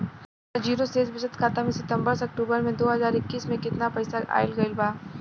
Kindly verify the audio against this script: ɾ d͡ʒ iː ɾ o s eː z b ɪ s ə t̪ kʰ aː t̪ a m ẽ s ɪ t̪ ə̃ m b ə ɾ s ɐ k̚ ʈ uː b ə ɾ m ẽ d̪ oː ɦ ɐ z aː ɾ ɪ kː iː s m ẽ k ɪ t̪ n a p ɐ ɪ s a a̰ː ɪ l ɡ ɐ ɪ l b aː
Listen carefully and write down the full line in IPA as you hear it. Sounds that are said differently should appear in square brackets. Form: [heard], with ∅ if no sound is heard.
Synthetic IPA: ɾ d͡ʒ iː ɾ o s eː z b ɪ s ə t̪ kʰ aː t̪ a m ẽ s ɪ t̪ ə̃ m b ə ɾ s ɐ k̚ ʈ uː b ə ɾ m ẽ d̪ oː ɦ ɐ z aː ɾ ɪ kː iː s m ẽ k ɪ t̪ n a p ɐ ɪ s a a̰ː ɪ l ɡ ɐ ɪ l b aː

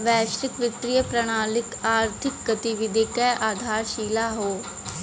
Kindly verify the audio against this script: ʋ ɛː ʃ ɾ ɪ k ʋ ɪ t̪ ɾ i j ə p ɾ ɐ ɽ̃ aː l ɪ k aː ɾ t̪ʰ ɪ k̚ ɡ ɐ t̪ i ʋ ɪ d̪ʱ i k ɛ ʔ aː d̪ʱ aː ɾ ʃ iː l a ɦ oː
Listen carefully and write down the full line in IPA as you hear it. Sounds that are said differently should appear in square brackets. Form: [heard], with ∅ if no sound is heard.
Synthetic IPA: ʋ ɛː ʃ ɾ ɪ k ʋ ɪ t̪ ɾ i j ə p ɾ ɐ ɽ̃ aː l ɪ k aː ɾ t̪ʰ ɪ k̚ ɡ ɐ t̪ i ʋ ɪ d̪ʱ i k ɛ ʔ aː d̪ʱ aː ɾ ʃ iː l a ɦ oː

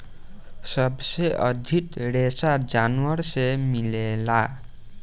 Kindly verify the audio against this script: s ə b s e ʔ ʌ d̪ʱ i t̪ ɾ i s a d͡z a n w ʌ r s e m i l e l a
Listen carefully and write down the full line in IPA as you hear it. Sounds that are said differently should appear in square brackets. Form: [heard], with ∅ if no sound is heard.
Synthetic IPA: s [ʌ] b s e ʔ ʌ d̪ʱ i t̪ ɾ [e] s a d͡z a n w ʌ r s e m i l e l a

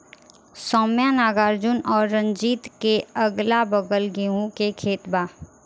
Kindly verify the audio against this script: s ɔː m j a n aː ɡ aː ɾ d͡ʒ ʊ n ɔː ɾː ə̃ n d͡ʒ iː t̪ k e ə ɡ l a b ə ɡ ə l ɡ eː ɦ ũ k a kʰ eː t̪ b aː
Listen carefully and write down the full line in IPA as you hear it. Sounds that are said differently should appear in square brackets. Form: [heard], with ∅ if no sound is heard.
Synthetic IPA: s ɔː m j a n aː ɡ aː ɾ d͡ʒ ʊ n ɔː ɾː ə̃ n d͡ʒ iː t̪ k e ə ɡ l a b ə ɡ ə l ɡ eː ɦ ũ k [e] kʰ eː t̪ b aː

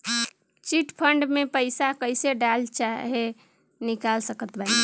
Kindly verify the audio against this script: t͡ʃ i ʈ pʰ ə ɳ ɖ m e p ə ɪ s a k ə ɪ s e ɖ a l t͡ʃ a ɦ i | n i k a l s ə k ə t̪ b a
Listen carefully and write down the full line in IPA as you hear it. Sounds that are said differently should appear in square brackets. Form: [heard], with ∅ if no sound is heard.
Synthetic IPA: t͡ʃ i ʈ pʰ ə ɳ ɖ m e p ə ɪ s a k ə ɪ s e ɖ a l t͡ʃ a ɦ [e] | n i k a l s ə k ə t̪ b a

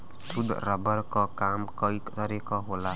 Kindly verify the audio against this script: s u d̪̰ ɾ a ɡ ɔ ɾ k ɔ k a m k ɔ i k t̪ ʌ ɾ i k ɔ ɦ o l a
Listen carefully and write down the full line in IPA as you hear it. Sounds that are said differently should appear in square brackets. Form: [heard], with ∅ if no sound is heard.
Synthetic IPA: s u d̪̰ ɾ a [b] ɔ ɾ k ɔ k a m k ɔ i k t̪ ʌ ɾ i k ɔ ɦ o l a

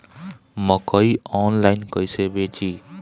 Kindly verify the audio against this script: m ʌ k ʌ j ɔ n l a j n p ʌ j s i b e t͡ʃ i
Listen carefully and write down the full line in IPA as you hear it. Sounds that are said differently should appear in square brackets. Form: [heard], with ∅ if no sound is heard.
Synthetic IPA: m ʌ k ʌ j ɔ n l a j n [k] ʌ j s [e] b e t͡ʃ i

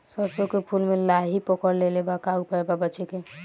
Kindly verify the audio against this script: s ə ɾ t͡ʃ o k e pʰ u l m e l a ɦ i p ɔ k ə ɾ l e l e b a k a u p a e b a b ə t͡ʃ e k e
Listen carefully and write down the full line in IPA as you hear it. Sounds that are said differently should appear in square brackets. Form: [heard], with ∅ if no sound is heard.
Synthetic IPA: s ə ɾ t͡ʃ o k e pʰ u l m e l a ɦ i p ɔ k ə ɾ l e l e b a k a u p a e b a b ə t͡ʃ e k e

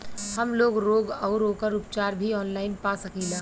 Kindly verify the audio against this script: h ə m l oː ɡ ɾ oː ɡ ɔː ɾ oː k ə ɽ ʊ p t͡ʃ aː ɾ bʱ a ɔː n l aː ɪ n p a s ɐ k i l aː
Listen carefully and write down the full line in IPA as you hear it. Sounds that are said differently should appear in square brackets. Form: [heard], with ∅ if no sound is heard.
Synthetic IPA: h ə m l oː ɡ ɾ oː ɡ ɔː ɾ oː k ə [ɾ] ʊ p t͡ʃ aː ɾ bʱ [i] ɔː n l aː ɪ n p a s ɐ k i l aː

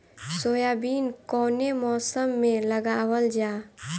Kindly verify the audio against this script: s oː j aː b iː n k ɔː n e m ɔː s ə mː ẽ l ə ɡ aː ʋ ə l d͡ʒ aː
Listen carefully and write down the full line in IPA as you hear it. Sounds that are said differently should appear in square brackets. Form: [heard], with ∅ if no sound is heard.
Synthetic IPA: s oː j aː b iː n k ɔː n e m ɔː s ə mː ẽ l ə ɡ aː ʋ ə l d͡ʒ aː

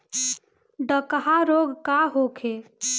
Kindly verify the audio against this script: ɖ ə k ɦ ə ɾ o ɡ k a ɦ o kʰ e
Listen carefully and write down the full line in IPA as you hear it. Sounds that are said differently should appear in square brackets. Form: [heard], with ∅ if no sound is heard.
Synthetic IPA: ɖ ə k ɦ [a] ɾ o ɡ k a ɦ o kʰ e

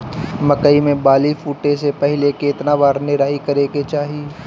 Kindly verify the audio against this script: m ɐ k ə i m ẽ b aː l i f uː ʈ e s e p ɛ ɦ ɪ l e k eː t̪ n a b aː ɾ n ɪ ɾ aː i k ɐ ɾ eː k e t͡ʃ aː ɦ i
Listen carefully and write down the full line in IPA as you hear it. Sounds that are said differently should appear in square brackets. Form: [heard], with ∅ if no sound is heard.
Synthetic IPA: m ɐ k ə i m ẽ b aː l i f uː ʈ e s e p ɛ ɦ ɪ l e k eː t̪ n a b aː ɾ n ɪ ɾ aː i k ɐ ɾ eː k e t͡ʃ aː ɦ i

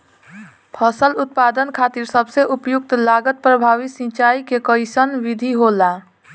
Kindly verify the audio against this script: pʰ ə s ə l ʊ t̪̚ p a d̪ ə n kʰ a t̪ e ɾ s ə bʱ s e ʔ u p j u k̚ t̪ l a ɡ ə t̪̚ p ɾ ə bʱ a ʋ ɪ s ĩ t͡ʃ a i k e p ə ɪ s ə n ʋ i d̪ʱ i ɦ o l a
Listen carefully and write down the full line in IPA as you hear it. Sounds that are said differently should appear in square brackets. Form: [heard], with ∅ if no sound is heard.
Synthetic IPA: pʰ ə s ə l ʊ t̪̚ p a d̪ ə n kʰ a t̪ [i] ɾ s ə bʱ s e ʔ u p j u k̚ t̪ l a ɡ ə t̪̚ p ɾ ə bʱ a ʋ [i] s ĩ t͡ʃ a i k e [k] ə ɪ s ə n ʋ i d̪ʱ i ɦ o l a

